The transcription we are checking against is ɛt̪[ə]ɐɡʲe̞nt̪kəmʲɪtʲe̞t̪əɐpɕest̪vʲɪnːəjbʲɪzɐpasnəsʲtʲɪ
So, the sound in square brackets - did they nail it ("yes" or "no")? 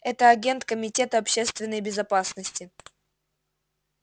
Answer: yes